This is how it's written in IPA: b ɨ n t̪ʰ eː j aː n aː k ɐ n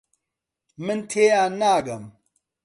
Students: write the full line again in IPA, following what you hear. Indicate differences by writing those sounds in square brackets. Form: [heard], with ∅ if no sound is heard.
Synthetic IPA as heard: [m] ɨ n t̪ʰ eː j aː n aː [ɡ] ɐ [m]